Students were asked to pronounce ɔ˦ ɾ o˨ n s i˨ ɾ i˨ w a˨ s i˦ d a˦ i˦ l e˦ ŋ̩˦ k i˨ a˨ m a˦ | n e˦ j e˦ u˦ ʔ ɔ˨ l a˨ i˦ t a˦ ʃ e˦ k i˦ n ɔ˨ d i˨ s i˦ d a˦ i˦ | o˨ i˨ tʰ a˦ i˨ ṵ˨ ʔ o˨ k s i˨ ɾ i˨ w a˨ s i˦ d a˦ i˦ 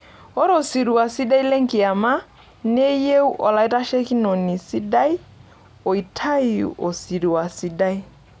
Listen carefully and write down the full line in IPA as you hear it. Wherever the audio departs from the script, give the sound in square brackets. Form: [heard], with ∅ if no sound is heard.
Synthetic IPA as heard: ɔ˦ ɾ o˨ [∅] s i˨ ɾ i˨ w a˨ s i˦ d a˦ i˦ l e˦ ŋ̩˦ k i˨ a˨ m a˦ | n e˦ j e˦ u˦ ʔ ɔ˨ l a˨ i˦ t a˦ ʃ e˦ k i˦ n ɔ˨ [n] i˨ s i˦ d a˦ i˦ | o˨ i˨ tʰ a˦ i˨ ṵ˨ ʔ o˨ [∅] s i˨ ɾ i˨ w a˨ s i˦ d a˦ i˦